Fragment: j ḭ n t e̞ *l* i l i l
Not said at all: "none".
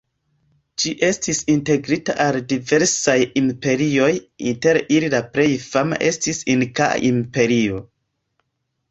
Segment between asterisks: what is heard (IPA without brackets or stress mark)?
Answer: ɾ